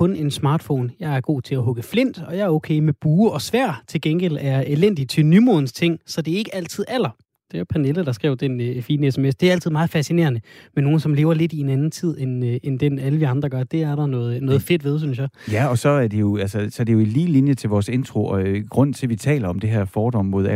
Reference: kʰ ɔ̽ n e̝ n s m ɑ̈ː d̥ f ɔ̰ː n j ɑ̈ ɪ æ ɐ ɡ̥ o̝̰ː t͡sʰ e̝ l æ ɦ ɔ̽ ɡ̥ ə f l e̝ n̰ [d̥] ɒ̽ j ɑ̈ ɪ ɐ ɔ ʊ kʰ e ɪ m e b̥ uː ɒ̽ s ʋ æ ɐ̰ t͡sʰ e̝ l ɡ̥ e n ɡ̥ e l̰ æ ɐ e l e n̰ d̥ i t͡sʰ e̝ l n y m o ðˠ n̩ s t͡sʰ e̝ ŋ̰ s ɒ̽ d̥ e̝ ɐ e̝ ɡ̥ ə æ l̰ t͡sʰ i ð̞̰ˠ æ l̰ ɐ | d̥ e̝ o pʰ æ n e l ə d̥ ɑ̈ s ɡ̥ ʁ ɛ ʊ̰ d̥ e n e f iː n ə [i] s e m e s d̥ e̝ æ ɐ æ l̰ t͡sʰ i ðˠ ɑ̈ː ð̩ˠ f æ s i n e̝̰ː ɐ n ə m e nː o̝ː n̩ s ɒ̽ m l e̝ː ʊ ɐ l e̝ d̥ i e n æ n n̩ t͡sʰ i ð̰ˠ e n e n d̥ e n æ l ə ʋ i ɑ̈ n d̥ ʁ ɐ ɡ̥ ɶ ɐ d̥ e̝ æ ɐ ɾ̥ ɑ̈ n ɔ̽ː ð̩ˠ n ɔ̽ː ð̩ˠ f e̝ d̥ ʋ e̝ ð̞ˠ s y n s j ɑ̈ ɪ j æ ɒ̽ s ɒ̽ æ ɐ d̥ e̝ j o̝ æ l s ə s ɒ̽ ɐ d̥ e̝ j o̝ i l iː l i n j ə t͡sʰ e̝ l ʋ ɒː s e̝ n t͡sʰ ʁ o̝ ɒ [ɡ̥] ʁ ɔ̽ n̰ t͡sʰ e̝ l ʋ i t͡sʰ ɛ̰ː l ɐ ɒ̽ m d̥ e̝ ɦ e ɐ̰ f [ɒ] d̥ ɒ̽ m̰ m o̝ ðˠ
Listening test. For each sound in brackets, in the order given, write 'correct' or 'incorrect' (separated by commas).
correct, incorrect, correct, incorrect